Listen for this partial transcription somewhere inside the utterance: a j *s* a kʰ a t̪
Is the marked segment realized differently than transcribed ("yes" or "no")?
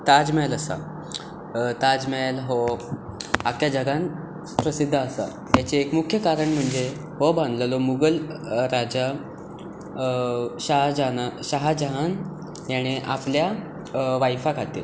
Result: yes